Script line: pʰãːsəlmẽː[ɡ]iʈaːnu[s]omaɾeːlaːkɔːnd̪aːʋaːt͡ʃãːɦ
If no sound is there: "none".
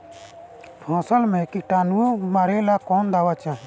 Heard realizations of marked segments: k, none

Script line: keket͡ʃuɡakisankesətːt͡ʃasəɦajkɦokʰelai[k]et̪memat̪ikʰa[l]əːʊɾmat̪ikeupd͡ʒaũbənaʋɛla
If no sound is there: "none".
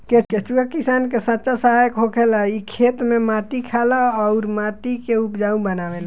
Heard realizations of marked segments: kʰ, l

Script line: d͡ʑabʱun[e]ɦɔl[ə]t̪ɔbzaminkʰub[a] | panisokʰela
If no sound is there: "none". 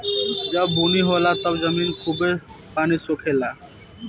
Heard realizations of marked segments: i, a, e

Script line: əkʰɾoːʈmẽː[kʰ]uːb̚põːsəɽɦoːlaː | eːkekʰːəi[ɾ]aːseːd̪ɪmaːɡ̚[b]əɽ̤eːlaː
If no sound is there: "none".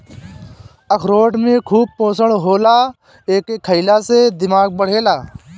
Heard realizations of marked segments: kʰ, l, b

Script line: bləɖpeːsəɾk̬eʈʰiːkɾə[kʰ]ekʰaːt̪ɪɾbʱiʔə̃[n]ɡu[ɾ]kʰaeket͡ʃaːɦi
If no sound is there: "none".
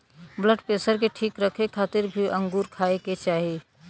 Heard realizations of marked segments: kʰ, ŋ, ɾ

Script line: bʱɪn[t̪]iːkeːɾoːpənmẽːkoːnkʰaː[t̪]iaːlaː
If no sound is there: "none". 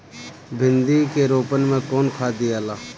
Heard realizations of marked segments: d̪, d̪

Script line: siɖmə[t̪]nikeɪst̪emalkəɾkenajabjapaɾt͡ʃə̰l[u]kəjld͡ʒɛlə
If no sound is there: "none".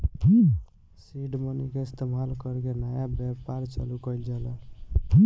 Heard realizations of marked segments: none, u

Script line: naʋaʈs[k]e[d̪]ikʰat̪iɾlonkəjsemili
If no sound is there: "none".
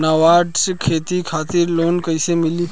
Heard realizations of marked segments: kʰ, t̪

